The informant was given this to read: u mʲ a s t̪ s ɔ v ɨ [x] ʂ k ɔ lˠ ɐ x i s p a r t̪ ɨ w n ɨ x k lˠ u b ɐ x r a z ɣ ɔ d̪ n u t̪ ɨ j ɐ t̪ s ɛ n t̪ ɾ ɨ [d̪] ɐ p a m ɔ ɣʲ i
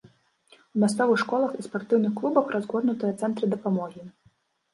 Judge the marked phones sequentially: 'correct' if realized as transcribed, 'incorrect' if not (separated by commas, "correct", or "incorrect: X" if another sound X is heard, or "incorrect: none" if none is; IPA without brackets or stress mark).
correct, correct